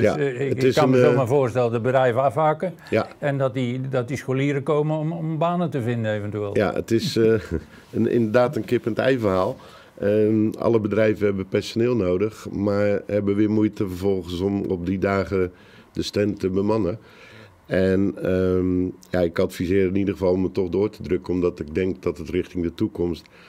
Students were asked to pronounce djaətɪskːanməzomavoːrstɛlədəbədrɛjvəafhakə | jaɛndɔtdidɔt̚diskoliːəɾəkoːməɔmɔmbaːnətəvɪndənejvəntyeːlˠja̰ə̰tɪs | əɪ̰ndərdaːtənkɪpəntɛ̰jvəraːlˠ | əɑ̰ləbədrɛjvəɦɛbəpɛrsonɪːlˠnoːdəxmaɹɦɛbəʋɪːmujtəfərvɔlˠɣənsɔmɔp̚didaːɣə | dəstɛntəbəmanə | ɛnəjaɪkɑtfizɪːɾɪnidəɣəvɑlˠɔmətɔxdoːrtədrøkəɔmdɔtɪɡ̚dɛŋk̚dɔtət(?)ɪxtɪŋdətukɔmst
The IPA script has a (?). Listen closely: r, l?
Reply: r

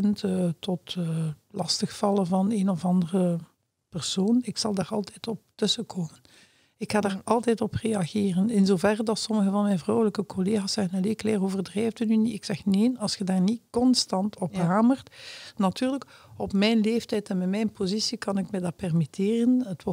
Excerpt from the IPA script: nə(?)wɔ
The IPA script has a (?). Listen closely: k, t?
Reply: t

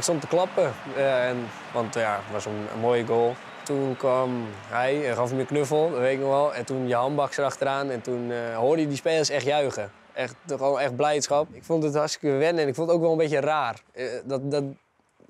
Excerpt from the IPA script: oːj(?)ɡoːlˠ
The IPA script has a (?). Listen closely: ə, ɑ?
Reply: ə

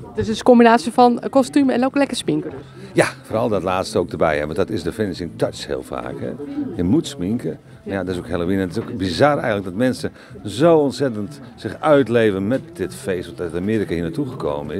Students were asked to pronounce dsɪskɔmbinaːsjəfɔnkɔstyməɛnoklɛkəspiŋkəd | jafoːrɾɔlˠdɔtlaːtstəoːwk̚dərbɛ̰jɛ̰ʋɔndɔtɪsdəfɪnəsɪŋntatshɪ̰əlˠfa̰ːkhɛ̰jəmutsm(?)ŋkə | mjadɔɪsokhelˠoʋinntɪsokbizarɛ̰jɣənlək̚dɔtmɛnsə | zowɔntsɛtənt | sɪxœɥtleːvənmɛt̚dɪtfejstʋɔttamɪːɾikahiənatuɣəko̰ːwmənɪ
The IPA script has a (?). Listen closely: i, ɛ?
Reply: i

